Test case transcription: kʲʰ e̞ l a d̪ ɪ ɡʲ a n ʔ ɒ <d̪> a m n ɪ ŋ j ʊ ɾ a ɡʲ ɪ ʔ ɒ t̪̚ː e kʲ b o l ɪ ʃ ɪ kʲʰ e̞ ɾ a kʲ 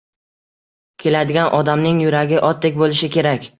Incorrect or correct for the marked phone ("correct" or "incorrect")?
correct